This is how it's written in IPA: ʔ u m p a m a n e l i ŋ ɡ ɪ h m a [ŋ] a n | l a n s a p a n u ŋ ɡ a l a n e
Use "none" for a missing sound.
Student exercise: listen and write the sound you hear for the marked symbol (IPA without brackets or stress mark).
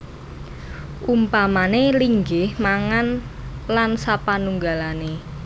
ŋ